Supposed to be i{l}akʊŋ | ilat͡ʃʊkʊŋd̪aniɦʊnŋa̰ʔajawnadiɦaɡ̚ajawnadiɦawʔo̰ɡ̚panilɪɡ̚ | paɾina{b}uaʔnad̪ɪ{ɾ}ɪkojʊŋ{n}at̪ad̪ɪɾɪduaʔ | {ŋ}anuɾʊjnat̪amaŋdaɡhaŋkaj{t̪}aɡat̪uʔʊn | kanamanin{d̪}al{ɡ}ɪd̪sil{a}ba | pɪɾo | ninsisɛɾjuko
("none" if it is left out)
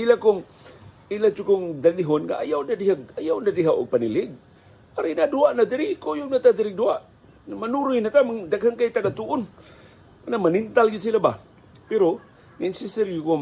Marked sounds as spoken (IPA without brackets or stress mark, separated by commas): l, d, ɾ, n, m, t̪, t̪, ɡ, a